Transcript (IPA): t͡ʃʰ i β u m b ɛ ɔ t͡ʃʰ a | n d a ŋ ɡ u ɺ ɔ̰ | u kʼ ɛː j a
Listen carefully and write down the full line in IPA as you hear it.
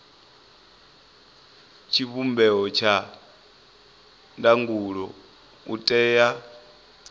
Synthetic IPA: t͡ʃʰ i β u m b ɛ ɔ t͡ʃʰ a | n d a ŋ ɡ u ɺ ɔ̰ | u tʼ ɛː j a